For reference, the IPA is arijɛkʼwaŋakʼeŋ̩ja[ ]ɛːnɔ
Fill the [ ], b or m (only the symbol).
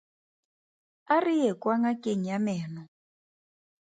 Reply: m